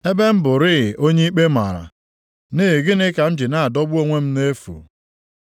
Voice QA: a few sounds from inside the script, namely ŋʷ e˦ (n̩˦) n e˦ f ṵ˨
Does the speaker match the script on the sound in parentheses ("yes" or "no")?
no